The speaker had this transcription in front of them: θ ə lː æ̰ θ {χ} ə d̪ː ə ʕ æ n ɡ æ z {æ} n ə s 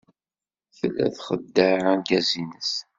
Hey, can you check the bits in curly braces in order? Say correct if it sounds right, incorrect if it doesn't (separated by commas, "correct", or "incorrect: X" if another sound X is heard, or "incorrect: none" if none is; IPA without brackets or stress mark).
correct, incorrect: i